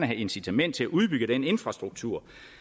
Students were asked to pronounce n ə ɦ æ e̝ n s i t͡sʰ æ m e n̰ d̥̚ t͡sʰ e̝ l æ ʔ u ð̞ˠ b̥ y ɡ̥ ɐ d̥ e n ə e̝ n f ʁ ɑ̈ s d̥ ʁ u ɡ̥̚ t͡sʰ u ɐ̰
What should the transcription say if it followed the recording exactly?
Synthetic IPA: n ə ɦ æ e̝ n s i t͡sʰ æ m e n̰ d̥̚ t͡sʰ e̝ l æ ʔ u ð̞ˠ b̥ y ɡ̥ ə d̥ e n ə e̝ n f ʁ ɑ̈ s d̥ ʁ u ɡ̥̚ t͡sʰ u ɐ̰